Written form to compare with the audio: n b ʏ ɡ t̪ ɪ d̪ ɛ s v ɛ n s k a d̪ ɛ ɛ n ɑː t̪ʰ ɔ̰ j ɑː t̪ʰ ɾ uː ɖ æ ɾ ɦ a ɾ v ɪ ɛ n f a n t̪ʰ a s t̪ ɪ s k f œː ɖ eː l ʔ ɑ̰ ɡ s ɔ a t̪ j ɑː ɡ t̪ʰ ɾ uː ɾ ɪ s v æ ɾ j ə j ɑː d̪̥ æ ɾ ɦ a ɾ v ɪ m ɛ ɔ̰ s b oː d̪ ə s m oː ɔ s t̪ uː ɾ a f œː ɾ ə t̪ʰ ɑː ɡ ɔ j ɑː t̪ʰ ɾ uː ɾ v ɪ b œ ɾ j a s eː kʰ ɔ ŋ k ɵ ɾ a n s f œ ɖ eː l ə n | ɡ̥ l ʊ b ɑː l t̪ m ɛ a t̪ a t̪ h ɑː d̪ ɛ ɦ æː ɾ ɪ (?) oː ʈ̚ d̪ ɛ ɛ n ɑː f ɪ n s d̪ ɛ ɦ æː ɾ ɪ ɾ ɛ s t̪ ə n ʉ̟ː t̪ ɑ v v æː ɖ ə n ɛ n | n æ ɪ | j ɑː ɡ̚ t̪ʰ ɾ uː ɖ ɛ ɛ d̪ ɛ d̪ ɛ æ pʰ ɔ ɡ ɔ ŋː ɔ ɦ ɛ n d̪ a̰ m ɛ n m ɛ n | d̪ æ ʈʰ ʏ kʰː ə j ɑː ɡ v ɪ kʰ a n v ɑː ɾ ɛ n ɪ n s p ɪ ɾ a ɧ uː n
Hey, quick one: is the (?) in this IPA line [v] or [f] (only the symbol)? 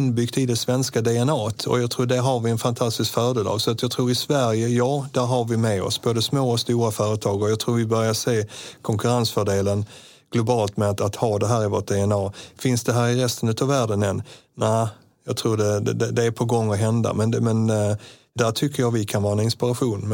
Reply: v